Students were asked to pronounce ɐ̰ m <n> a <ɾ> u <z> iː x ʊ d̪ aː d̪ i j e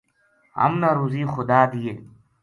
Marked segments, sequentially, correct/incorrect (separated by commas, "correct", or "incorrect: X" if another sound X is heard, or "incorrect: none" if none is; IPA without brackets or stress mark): correct, correct, correct